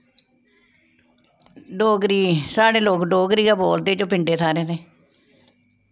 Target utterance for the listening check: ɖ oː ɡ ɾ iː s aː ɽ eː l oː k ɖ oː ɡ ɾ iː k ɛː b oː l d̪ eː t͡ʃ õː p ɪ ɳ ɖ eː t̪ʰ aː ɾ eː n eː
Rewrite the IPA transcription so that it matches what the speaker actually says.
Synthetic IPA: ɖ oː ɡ ɾ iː s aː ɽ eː l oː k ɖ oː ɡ ɾ iː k aː b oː l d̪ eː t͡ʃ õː p ɪ ɳ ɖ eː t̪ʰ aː ɾ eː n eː